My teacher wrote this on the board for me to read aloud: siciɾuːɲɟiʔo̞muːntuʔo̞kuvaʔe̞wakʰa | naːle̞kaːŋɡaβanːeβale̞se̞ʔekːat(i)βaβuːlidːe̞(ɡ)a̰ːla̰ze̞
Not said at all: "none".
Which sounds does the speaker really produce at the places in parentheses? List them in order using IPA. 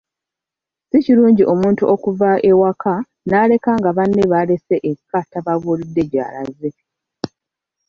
a, ɟ

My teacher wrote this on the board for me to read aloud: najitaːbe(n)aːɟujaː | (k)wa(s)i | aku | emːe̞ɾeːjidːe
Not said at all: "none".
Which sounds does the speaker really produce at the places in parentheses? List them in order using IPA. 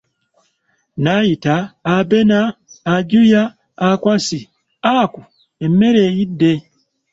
n, k, s

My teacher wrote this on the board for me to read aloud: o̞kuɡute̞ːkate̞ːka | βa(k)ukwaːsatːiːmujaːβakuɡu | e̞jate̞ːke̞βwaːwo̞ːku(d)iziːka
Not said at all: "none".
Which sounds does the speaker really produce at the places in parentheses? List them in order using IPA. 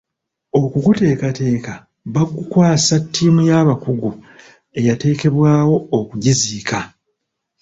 ɡ, ɟ

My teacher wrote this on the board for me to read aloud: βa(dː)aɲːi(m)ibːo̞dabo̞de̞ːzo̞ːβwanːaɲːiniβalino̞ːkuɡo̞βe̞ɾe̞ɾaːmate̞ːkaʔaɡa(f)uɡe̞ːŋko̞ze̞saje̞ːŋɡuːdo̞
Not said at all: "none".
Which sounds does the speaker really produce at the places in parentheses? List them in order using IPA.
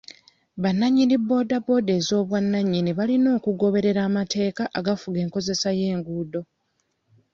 nː, n, f

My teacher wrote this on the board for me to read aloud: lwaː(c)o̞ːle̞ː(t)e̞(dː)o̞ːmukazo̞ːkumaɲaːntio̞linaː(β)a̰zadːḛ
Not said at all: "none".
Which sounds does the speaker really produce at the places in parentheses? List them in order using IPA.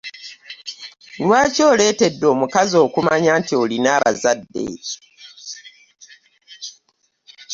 c, t, dː, β

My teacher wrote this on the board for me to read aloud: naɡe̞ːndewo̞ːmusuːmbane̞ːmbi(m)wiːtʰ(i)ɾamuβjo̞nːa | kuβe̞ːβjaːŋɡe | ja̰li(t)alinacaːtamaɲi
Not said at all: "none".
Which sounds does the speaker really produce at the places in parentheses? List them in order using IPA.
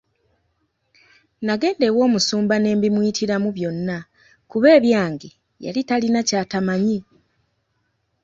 m, i, t

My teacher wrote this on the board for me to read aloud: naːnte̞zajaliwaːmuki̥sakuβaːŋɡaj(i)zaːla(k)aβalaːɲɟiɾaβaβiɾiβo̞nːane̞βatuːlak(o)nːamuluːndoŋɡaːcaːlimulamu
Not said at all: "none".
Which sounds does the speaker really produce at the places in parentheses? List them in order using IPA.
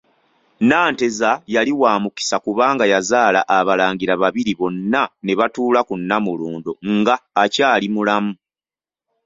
a, ʔ, u

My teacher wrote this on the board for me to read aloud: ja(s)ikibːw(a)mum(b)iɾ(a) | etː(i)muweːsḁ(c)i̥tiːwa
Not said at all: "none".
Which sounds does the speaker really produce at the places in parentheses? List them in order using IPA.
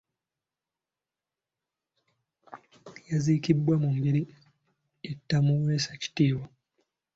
z, a, b, i, a, c

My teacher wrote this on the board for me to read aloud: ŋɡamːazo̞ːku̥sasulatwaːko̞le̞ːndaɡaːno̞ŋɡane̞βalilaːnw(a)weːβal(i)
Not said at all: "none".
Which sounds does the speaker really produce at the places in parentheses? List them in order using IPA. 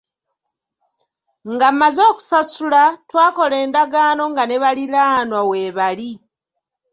a, i

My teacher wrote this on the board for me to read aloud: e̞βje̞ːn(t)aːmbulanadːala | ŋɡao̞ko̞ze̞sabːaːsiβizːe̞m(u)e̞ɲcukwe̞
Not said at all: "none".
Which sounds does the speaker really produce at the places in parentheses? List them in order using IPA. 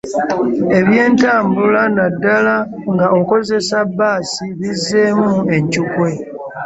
t, u

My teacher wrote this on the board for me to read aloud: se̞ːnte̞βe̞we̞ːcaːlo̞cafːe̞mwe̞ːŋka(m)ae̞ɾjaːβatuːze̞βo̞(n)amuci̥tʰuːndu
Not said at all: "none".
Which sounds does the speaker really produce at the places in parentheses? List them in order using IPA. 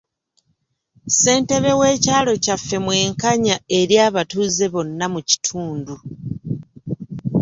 ɲ, nː

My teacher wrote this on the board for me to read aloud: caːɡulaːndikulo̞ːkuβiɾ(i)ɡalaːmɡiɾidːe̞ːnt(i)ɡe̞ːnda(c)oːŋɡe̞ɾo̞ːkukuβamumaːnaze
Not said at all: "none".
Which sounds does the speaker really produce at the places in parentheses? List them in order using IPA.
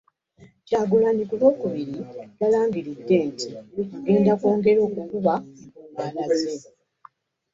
i, i, k

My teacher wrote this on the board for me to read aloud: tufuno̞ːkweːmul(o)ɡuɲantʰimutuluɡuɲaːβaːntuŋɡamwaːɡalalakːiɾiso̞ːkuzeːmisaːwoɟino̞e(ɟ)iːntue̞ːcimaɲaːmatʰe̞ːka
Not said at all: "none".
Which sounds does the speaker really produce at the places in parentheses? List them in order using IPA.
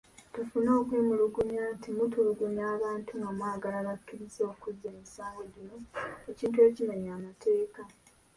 u, c

